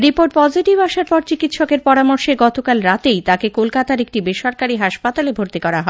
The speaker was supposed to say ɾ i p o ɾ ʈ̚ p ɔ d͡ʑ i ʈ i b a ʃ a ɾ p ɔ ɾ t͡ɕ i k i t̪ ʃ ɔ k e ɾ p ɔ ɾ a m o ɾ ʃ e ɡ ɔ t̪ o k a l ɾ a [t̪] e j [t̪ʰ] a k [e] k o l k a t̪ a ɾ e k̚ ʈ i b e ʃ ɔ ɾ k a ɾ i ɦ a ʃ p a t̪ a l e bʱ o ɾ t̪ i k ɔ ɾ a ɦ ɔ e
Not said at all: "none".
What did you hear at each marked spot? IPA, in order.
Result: t̪, t̪, e

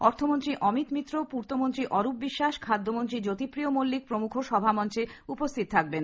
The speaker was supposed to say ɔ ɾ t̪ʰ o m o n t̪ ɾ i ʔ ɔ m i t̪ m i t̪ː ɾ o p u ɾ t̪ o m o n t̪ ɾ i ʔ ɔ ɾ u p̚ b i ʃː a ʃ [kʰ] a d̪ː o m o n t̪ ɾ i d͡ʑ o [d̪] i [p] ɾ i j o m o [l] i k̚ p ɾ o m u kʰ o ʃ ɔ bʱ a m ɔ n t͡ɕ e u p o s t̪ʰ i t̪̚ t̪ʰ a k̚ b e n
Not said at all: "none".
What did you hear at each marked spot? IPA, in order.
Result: kʰ, t̪, p, lː

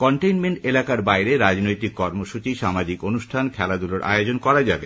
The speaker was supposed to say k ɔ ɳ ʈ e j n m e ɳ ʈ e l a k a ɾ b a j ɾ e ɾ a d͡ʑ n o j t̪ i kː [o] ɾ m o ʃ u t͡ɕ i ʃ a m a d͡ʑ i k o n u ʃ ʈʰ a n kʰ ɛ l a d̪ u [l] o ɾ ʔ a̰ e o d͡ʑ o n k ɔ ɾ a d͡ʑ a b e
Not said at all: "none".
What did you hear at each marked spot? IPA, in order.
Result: ɔ, l

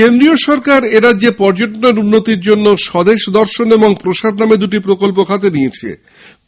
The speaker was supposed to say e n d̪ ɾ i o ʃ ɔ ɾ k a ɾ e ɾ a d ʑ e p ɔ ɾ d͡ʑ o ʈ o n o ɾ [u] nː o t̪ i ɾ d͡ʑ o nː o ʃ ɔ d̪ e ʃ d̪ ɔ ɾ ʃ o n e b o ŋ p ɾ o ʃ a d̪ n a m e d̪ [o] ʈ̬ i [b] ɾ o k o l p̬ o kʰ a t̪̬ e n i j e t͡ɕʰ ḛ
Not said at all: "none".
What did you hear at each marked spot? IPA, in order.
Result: u, u, p

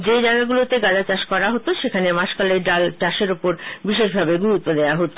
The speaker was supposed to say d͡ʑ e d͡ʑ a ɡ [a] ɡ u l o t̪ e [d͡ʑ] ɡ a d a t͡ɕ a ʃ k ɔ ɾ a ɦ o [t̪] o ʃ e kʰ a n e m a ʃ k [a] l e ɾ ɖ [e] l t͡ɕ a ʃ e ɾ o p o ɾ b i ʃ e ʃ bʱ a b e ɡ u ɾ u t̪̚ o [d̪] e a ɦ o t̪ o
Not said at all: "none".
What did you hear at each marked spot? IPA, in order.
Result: a, none, t̪, a, a, d̪

